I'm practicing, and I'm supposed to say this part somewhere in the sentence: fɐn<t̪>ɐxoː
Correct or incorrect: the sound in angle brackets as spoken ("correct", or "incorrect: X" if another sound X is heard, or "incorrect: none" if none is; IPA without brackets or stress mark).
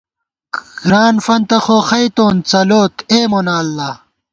correct